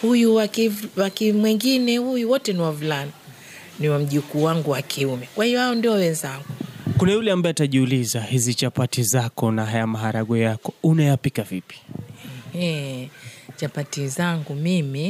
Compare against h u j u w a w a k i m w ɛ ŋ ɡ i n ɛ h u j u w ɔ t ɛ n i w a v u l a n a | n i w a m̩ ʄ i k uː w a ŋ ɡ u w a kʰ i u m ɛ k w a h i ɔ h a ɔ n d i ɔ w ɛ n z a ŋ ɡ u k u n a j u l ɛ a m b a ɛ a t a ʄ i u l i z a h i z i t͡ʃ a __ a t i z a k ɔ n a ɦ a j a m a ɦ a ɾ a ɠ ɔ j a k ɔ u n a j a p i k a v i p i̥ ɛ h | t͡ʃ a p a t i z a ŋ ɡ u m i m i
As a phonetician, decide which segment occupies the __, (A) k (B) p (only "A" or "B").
B